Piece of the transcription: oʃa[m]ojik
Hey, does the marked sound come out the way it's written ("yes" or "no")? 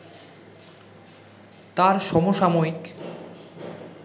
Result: yes